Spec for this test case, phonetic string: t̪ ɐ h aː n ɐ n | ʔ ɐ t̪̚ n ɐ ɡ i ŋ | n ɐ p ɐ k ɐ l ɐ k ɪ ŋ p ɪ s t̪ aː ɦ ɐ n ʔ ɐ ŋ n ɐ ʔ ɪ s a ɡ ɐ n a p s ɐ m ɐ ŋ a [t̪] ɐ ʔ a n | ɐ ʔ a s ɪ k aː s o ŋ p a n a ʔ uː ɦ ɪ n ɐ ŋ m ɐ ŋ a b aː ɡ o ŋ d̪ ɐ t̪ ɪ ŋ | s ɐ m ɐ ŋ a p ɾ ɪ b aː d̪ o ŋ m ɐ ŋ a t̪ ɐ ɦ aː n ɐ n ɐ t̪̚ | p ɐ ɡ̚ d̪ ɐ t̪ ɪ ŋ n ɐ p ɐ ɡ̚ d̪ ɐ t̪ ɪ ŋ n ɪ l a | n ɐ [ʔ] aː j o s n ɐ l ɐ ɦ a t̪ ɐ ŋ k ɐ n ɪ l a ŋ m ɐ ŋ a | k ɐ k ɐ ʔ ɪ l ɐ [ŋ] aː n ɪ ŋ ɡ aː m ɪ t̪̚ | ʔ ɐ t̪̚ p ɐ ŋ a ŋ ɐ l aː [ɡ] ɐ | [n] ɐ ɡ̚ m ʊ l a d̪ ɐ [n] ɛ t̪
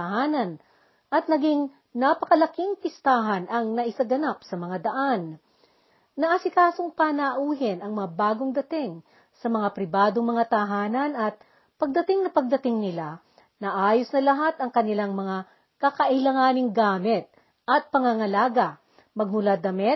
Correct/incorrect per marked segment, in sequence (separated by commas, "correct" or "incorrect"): incorrect, correct, correct, correct, incorrect, incorrect